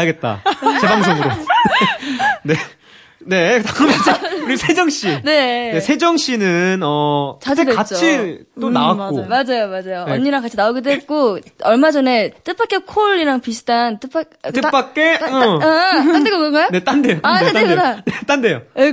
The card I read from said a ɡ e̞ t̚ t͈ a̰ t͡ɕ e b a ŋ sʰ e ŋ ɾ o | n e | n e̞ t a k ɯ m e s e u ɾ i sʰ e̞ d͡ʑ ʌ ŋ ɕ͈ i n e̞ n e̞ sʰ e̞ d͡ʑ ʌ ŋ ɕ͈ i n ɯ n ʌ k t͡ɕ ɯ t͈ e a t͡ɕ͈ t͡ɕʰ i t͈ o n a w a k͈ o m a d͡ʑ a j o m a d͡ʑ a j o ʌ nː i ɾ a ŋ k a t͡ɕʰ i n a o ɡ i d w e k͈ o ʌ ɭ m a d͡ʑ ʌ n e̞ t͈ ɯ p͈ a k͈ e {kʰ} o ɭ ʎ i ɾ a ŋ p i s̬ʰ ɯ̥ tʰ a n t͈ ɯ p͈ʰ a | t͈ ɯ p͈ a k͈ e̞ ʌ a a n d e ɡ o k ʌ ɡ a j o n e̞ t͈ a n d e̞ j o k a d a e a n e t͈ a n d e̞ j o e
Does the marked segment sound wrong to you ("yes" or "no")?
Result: no